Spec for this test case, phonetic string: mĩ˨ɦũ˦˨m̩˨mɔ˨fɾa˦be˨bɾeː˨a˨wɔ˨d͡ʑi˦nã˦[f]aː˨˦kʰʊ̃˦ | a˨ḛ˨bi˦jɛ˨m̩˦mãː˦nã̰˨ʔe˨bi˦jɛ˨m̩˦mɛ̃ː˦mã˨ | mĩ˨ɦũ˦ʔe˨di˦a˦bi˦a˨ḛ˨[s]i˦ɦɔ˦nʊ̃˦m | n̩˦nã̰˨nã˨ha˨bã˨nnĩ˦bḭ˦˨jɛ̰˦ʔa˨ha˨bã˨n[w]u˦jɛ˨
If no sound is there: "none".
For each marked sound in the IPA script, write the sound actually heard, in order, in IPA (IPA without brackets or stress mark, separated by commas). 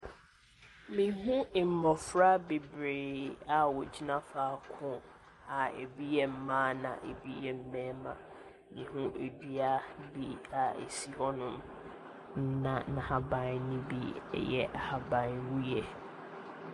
f, s, w